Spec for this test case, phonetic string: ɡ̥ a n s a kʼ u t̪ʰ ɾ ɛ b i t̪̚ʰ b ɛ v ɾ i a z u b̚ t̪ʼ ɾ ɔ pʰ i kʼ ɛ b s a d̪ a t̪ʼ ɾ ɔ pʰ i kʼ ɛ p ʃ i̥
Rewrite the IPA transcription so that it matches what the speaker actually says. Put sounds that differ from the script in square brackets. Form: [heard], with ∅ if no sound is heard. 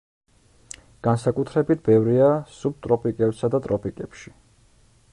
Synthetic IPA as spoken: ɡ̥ a n s a kʼ u t̪ʰ ɾ ɛ b i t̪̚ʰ b ɛ v ɾ i a [s] u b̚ t̪ʼ ɾ ɔ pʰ i kʼ ɛ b s a d̪ a t̪ʼ ɾ ɔ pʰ i kʼ ɛ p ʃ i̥